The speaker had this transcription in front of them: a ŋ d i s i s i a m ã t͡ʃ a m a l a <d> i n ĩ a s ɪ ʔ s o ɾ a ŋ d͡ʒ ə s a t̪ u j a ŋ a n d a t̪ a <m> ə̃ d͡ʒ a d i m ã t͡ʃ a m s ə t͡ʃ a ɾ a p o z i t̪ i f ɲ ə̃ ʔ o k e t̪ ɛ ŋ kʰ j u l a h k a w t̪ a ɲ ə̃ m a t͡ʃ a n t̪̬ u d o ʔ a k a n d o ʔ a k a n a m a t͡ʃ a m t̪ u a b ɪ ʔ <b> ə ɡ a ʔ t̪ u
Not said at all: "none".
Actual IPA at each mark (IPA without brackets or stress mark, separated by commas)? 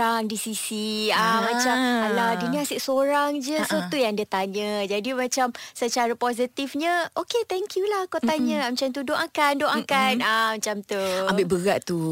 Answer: d, ɲ, b